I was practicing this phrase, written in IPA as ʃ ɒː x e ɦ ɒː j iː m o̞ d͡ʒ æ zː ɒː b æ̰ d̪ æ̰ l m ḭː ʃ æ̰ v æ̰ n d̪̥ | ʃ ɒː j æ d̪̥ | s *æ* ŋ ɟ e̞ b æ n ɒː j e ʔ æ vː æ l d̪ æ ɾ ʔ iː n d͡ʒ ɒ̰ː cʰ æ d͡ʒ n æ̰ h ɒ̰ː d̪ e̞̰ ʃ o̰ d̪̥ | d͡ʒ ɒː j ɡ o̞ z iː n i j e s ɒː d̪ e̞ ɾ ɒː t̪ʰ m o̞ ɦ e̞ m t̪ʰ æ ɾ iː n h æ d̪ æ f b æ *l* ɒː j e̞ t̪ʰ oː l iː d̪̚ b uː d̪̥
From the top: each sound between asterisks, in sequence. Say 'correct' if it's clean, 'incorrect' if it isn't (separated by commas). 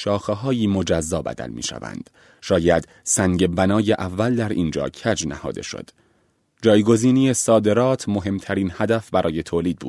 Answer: correct, incorrect